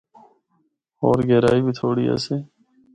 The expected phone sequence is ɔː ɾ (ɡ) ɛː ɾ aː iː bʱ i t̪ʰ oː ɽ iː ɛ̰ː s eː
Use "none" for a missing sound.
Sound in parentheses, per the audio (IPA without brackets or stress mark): ɡ